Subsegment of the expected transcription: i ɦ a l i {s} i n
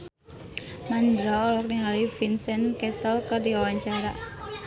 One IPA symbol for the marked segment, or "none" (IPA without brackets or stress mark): f